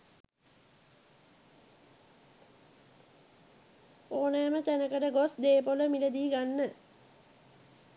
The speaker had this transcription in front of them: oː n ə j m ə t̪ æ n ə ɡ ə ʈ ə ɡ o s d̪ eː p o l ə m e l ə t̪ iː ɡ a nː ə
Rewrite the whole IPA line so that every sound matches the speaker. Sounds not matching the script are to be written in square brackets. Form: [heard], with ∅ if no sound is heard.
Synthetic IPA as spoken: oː n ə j m ə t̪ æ n ə [k] ə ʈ ə ɡ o s d̪ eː p o l ə m [i] l ə [d̪] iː ɡ a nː ə